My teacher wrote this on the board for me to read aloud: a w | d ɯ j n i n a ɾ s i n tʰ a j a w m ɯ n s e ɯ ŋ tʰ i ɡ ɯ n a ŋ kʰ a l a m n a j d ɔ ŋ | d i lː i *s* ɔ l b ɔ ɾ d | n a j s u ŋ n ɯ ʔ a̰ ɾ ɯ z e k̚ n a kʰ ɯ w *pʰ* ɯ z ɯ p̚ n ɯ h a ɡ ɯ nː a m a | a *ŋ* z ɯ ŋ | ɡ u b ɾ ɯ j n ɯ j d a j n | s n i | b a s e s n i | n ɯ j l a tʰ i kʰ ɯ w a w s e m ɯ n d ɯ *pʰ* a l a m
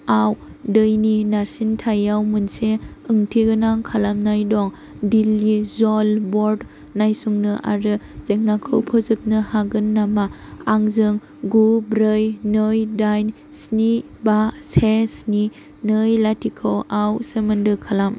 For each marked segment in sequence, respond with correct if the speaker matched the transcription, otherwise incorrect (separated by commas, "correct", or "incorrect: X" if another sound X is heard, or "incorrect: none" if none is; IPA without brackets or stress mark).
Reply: incorrect: z, correct, correct, incorrect: kʰ